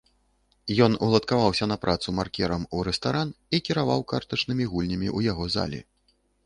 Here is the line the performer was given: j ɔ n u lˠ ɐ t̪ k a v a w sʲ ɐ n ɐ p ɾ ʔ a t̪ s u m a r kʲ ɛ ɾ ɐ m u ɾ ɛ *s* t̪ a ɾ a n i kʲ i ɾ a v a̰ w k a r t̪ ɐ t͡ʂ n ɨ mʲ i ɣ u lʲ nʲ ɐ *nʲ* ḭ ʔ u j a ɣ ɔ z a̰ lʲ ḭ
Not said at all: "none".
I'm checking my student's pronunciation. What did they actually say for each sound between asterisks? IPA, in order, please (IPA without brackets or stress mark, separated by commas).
s, mʲ